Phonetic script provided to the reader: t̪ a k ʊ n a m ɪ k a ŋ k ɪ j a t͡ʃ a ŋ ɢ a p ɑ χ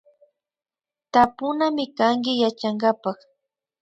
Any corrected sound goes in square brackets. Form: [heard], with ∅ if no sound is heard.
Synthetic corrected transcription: t̪ a [p] ʊ n a m ɪ k a ŋ k ɪ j a t͡ʃ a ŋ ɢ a p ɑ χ

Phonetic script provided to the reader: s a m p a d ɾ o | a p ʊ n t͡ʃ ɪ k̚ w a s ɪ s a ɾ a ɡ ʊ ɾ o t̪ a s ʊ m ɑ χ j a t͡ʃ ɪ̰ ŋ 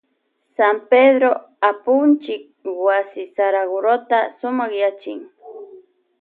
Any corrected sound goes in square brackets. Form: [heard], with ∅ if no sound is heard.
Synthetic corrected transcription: s a m p [e] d ɾ o | a p ʊ n t͡ʃ ɪ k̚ w a s ɪ s a ɾ a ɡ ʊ ɾ o t̪ a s ʊ m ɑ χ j a t͡ʃ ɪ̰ ŋ

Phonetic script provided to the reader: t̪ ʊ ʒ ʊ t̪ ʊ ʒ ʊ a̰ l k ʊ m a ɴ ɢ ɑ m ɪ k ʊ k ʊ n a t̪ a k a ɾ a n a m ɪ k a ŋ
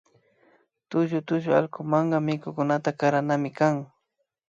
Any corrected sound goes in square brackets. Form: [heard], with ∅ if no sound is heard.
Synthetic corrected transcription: t̪ ʊ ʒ ʊ t̪ ʊ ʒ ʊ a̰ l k ʊ m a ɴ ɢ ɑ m ɪ k ʊ k ʊ n a t̪ a k a ɾ a n a m ɪ k a ŋ

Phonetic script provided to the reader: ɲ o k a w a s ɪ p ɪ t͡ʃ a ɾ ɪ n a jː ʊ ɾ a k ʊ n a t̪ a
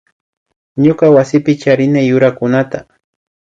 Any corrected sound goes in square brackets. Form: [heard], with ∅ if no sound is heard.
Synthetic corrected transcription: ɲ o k a w a s ɪ p ɪ t͡ʃ a ɾ ɪ n a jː ʊ ɾ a k ʊ n a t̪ a

